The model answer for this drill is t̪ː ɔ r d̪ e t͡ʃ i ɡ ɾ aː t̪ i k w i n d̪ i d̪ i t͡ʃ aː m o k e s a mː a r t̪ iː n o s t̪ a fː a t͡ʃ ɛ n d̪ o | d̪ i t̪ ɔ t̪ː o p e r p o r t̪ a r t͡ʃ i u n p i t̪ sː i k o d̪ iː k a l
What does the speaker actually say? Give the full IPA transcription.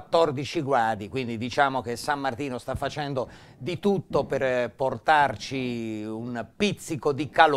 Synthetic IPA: t̪ː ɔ r d̪ i t͡ʃ i ɡ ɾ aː d̪ i k w i n d̪ i d̪ i t͡ʃ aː m o k e s a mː a r t̪ iː n o s t̪ a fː a t͡ʃ ɛ n d̪ o | d̪ i t̪ u t̪ː o p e r p o r t̪ a r t͡ʃ i u n p i t̪ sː i k o d̪ i k a l

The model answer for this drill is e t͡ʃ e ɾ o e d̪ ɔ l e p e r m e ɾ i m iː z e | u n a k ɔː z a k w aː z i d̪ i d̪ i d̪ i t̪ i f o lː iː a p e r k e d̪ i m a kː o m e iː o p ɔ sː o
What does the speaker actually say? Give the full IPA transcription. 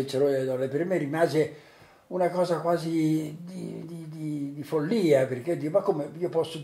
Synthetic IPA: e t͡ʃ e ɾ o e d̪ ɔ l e p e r m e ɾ i m aː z e | u n a k ɔː z a k w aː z i d̪ i d̪ i d̪ i d̪ i f o lː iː a p e r k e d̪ i m a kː o m e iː o p ɔ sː o

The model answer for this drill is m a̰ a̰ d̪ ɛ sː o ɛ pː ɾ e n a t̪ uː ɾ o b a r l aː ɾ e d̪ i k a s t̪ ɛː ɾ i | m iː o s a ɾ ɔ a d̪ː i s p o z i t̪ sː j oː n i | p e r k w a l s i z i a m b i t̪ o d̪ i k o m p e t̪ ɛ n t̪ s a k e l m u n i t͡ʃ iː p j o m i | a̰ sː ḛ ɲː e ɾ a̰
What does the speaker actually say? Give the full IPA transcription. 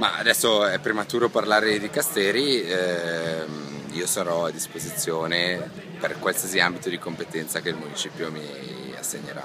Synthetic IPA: m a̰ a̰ d̪ ɛ sː o ɛ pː ɾ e m a t̪ uː ɾ o p a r l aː ɾ e d̪ i k a s t̪ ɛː ɾ i | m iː o s a ɾ ɔ a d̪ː i s p o z i t̪ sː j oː n e | p e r k w a l s i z i a m b i t̪ o d̪ i k o m p e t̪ ɛ n t̪ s a k e l m u n i t͡ʃ iː p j o m i | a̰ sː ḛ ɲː e ɾ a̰

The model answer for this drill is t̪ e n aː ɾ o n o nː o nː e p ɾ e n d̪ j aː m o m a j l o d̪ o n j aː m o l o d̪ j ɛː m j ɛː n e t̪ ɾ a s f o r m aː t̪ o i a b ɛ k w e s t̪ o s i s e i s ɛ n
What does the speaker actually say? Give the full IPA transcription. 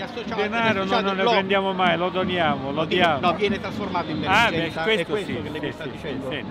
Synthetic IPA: d̪ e n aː ɾ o n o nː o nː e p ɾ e n d̪ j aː m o m a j l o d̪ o n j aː m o l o d̪ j aː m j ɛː n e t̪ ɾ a s f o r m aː t̪ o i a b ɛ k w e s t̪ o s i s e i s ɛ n

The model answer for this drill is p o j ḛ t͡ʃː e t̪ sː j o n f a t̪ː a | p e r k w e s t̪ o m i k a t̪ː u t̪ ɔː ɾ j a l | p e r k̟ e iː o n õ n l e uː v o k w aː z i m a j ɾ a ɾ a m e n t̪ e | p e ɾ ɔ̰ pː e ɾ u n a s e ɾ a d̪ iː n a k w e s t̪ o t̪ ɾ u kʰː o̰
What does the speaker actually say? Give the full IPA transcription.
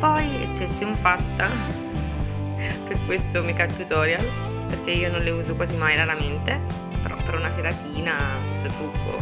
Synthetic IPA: p ɔ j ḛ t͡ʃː e t̪ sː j o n f a t̪ː a | p e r k w e s t̪ o m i k a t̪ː u t̪ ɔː ɾ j a l | p e r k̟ e iː o n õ n l e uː z o k w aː z i m a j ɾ a ɾ a m e n t̪ e | p e ɾ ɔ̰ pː e ɾ u n a s e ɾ a t̪ iː n a k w e s t̪ o t̪ ɾ u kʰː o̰

